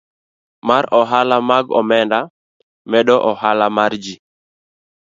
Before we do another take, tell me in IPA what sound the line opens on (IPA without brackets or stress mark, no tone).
m